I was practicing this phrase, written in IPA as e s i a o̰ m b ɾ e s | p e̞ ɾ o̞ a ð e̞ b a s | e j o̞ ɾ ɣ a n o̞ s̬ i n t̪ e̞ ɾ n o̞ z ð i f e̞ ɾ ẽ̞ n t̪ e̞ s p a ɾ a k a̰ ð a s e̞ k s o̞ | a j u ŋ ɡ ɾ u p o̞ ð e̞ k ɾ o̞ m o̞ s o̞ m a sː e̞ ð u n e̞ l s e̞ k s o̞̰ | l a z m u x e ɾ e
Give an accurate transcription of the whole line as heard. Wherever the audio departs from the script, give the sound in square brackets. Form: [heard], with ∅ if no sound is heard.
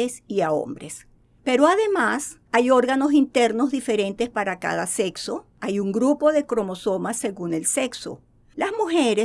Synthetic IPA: e s i a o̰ m b ɾ e s | p e̞ ɾ o̞ a ð e̞ [m] a s | [a] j o̞ ɾ ɣ a n o̞ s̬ i n t̪ e̞ ɾ n o̞ z ð i f e̞ ɾ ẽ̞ n t̪ e̞ s p a ɾ a k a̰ ð a s e̞ k s o̞ | a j u ŋ ɡ ɾ u p o̞ ð e̞ k ɾ o̞ m o̞ s o̞ m a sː e̞ [ɣ] u n e̞ l s e̞ k s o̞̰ | l a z m u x e ɾ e